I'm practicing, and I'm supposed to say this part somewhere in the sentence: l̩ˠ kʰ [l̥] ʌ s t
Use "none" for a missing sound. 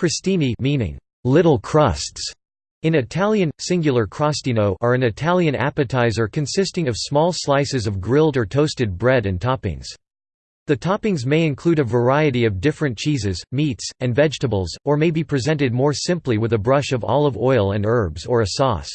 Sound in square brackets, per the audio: ɹ̥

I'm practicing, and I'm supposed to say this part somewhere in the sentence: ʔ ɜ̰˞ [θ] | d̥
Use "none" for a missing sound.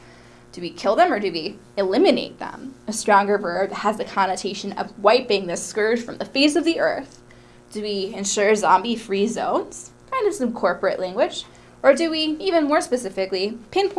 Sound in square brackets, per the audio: θ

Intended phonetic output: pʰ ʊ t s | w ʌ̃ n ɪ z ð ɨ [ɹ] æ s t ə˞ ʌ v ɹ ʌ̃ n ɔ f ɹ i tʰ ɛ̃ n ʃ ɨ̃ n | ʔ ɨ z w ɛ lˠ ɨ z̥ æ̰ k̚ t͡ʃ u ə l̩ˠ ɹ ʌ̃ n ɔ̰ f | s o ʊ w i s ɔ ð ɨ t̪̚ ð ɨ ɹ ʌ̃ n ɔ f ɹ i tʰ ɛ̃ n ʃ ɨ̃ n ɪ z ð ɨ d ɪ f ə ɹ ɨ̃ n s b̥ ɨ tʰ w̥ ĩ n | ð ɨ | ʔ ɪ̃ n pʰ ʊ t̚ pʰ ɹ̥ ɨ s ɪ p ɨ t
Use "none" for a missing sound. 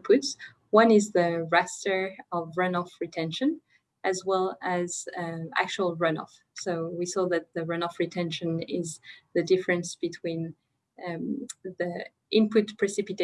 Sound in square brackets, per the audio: ɹ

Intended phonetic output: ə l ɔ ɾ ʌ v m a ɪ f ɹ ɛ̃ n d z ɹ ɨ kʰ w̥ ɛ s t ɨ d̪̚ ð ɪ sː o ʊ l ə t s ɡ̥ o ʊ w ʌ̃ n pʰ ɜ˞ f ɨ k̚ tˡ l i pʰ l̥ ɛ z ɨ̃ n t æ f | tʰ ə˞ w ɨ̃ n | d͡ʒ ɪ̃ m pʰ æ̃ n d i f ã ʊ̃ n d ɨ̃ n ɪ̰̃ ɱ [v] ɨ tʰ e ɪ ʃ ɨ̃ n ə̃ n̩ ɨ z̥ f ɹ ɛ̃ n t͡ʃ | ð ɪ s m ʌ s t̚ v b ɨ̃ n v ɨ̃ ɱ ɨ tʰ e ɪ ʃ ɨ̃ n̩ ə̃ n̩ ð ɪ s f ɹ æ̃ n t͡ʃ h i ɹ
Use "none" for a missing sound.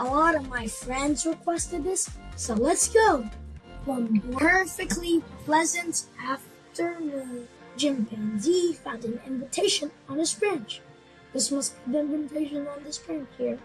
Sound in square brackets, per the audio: v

